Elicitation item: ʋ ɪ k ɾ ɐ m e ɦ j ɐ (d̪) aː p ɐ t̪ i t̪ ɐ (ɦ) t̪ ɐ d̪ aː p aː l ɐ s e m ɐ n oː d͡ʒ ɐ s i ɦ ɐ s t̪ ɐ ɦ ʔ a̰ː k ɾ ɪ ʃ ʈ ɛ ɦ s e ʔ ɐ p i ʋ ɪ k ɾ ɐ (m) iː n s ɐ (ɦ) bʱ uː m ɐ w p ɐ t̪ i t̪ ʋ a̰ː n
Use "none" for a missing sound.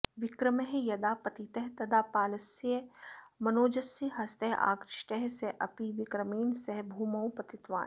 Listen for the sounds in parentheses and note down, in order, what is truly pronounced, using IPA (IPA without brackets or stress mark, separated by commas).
d̪, ɦ, m, ɦ